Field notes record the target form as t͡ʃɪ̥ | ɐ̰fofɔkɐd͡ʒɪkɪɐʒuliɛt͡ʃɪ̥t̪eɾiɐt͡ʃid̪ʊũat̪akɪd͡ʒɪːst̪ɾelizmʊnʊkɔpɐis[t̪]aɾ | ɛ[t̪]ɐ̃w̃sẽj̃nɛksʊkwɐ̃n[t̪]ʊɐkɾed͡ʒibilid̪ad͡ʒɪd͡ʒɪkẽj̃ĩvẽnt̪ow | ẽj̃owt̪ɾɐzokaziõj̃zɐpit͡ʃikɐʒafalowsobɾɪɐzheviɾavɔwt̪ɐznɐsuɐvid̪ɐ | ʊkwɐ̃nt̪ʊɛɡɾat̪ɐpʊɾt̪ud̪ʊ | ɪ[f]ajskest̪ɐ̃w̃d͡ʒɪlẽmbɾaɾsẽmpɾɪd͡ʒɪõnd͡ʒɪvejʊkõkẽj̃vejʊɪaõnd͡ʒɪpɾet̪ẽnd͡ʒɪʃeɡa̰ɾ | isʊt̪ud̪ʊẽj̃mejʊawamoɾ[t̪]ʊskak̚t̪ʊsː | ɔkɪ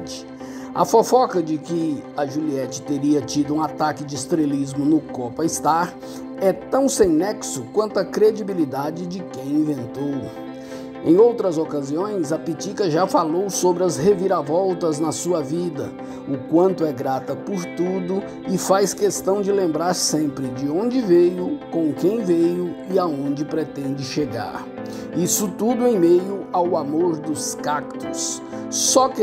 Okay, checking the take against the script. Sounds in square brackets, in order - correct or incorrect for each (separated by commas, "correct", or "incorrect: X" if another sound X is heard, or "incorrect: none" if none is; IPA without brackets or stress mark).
correct, correct, correct, correct, incorrect: d̪